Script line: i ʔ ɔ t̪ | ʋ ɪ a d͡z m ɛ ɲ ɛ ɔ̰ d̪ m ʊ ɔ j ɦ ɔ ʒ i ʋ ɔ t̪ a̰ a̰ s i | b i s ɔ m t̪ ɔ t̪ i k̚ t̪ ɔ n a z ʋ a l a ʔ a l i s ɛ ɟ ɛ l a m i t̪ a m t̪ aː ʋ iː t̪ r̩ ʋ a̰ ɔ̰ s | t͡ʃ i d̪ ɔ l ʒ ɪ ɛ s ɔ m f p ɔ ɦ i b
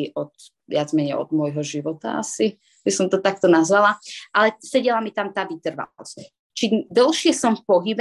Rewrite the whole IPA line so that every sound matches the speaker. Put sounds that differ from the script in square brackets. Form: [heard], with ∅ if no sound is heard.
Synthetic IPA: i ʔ ɔ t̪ | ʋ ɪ a d͡z m ɛ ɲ ɛ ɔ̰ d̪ m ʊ ɔ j ɦ ɔ ʒ i ʋ ɔ t̪ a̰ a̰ s i | b i s ɔ m t̪ ɔ t̪ [a] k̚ t̪ ɔ n a z ʋ a l a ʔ a l [ɛ] s ɛ ɟ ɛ l a m i t̪ a m t̪ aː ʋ [i] t̪ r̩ ʋ a̰ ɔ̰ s | t͡ʃ i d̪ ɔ l [ʃ] ɪ ɛ s ɔ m f p ɔ ɦ i b